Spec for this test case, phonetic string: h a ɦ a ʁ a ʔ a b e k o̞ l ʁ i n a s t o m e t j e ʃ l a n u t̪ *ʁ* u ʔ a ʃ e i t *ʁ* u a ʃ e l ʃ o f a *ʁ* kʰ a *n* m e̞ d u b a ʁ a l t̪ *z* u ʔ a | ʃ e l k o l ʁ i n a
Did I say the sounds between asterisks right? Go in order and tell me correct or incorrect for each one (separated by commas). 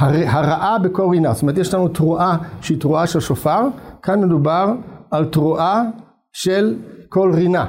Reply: correct, correct, correct, correct, incorrect